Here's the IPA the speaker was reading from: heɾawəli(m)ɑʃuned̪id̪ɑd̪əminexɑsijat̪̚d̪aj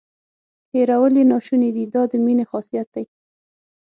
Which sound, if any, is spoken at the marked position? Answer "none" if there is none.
n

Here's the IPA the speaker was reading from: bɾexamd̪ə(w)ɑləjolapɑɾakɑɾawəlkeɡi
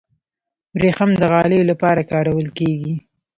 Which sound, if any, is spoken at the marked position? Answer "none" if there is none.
ɣ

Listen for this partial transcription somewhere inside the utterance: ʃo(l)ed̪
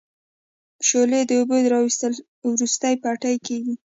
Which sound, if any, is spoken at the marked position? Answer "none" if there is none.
l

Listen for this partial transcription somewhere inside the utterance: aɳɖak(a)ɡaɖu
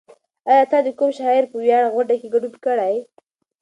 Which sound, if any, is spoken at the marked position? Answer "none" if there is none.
e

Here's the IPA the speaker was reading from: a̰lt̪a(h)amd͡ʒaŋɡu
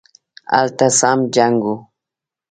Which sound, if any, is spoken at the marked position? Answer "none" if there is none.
s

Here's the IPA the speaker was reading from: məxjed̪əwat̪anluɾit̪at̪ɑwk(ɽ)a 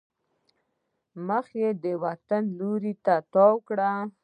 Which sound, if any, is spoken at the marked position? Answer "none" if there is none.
ɽ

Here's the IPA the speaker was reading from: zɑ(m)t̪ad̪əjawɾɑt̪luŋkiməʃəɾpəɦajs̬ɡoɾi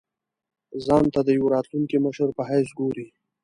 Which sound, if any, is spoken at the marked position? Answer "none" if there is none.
n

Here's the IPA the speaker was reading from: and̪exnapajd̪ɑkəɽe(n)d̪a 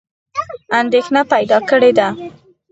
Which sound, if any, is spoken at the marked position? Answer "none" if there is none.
none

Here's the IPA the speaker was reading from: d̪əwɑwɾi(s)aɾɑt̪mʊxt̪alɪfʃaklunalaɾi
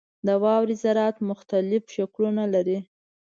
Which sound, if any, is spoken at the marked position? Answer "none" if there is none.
z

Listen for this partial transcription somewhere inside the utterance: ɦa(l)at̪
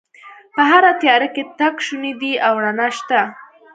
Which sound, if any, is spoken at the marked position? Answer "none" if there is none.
ɾ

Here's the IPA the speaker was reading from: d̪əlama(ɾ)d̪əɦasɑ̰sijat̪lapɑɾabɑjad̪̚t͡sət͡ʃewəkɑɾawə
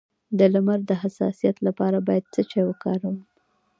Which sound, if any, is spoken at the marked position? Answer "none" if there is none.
ɾ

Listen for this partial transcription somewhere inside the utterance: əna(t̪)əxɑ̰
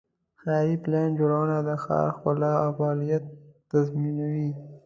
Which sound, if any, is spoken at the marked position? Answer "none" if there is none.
d̪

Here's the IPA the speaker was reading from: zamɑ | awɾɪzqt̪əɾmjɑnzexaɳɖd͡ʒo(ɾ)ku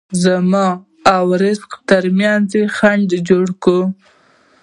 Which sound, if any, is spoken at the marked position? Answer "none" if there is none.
ɽ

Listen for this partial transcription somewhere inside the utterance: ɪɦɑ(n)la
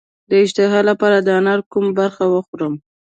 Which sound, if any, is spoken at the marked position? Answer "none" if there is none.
none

